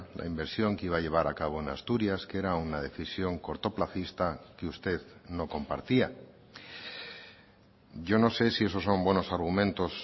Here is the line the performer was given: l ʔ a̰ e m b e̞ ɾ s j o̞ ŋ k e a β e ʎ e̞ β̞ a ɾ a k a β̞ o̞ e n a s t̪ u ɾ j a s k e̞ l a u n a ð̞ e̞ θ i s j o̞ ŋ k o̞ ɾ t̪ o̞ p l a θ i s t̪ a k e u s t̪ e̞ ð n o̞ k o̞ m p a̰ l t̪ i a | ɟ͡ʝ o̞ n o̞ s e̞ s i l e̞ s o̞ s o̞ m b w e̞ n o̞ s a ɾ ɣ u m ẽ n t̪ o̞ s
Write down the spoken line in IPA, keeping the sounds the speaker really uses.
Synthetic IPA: l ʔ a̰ i m b e̞ ɾ s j o̞ ŋ k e i β a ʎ e̞ β̞ a ɾ a k a β̞ o̞ e n a s t̪ u ɾ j a s k e̞ ɾ a u n a ð̞ e̞ θ i s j o̞ ŋ k o̞ ɾ t̪ o̞ p l a θ i s t̪ a k e u s t̪ e̞ ð n o̞ k o̞ m p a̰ ɾ t̪ i a | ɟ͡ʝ o̞ n o̞ s e̞ s i e̞ s o̞ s o̞ m b w e̞ n o̞ s a ɾ ɣ u m ẽ n t̪ o̞ s